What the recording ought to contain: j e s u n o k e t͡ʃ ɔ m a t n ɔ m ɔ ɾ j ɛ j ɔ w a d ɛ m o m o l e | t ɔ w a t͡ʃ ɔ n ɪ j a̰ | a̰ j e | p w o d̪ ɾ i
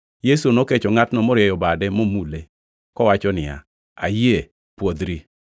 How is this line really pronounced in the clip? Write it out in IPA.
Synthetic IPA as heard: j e s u n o k e t͡ʃ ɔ ŋ a t n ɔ m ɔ ɾ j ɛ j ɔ b a d ɛ m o m u l e | k ɔ w a t͡ʃ ɔ n ɪ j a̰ | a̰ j e | p w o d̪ ɾ i